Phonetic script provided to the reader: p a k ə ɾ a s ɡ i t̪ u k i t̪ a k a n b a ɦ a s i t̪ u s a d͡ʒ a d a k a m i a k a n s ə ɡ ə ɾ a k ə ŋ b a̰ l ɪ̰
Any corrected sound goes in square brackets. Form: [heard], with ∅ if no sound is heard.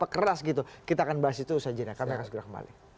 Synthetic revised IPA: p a k ə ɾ a s ɡ i t̪ u k i t̪ a k a n b a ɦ a s i t̪ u s a d͡ʒ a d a k a m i a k a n s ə ɡ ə ɾ a k ə [m] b a̰ l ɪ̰